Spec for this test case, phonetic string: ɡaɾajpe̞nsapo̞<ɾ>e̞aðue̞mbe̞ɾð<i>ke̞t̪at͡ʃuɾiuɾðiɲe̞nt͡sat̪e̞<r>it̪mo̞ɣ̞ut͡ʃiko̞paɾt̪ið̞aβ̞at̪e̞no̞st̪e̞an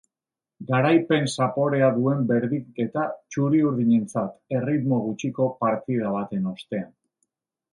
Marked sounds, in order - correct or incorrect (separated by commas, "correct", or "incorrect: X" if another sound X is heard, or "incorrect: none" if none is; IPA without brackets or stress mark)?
correct, correct, correct